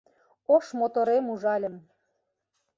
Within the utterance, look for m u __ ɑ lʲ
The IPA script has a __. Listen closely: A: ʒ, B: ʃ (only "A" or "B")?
A